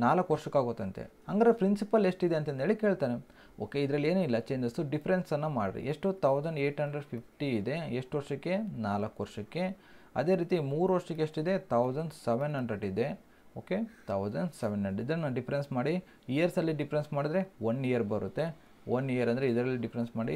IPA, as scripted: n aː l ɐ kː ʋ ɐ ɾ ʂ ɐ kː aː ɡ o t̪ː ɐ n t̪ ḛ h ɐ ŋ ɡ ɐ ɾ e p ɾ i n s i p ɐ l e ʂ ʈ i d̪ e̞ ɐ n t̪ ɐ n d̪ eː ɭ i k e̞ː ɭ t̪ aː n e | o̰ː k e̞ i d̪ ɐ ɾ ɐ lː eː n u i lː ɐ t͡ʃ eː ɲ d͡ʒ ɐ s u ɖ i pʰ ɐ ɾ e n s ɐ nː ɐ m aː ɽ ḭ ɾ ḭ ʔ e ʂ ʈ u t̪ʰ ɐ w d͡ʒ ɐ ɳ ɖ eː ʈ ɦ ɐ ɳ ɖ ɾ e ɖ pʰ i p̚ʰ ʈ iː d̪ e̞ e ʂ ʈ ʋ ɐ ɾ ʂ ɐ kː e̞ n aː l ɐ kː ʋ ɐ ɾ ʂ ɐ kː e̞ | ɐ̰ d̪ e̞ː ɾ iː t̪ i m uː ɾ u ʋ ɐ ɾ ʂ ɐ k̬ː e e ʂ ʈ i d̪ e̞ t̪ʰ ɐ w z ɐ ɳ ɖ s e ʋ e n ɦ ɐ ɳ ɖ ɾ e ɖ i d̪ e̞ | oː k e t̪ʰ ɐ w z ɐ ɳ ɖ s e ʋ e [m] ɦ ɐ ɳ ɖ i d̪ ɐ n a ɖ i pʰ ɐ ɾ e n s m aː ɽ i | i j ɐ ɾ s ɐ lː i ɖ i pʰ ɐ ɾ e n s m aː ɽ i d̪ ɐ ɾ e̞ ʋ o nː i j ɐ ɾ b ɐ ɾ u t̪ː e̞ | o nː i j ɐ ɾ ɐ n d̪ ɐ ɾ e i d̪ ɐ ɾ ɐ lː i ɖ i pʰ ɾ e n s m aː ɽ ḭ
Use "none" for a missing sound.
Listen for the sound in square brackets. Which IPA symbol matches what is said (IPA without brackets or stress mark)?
n